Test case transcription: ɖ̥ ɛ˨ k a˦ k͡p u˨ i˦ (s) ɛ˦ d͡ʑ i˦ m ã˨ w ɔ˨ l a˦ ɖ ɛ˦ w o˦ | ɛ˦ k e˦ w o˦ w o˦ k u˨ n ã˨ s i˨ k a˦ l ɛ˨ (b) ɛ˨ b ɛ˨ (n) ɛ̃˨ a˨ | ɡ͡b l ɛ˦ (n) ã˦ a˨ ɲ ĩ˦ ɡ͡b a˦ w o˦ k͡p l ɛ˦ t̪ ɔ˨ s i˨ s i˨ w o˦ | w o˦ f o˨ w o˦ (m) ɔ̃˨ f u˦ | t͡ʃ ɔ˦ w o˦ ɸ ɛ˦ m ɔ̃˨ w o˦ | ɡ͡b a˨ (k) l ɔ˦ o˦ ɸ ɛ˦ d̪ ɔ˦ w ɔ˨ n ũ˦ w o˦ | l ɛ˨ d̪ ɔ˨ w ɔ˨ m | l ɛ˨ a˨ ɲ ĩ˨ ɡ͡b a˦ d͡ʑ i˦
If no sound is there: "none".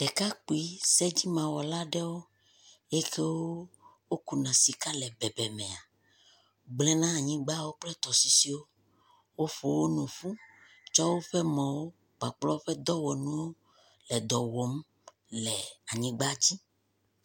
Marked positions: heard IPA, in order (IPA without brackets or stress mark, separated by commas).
s, b, m, n, n, k͡p